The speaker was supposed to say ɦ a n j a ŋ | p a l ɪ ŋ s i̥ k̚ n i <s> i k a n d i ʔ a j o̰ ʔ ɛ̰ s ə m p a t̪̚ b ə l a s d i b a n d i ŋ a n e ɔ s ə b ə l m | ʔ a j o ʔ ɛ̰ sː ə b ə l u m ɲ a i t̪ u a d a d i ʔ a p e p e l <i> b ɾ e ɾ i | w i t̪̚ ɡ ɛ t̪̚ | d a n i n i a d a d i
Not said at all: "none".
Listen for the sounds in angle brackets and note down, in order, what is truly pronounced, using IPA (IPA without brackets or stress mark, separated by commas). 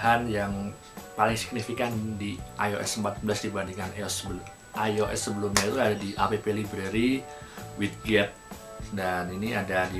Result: f, i